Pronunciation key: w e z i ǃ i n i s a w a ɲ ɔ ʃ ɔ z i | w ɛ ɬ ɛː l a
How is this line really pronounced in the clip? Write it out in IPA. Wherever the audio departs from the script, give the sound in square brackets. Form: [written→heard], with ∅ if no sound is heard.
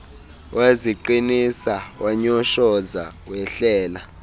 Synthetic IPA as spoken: w e z i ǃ i n i s a w a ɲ ɔ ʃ ɔ z [i→a] | w ɛ ɬ ɛː l a